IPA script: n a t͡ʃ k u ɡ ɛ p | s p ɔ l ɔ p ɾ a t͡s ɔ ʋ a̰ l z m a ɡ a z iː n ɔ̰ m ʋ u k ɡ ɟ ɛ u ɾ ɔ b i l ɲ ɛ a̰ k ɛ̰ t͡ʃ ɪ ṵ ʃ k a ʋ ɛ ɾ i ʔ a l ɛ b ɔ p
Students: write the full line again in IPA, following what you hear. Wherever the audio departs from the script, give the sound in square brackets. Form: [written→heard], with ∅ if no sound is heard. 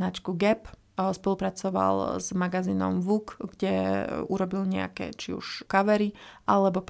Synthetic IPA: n a t͡ʃ k u ɡ ɛ p | s p ɔ l [ɔ→u] p ɾ a t͡s ɔ ʋ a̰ l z m a ɡ a z iː n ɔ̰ m ʋ u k ɡ ɟ ɛ u ɾ ɔ b i l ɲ ɛ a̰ k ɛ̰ t͡ʃ [ɪ→i] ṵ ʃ k a ʋ ɛ ɾ i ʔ a l ɛ b ɔ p